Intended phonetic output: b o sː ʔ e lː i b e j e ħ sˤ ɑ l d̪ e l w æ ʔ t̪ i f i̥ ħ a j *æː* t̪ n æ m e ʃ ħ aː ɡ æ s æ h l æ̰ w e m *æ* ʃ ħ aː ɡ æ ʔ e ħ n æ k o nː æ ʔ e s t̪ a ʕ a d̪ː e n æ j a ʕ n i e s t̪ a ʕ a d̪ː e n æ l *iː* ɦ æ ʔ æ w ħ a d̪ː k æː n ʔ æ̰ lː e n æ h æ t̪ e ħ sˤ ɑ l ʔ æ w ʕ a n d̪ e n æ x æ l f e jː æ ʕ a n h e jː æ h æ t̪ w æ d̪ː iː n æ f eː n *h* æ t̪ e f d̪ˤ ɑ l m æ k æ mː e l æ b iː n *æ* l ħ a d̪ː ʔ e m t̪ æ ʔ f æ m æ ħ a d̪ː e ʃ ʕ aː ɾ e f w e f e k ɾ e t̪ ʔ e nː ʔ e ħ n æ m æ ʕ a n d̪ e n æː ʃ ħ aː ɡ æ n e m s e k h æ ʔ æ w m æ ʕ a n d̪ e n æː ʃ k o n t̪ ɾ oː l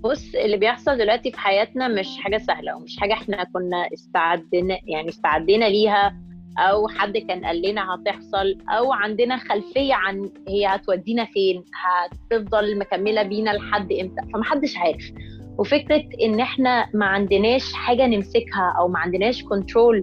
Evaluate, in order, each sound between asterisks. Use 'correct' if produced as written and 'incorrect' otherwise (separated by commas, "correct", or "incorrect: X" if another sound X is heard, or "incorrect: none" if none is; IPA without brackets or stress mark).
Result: correct, incorrect: e, correct, correct, correct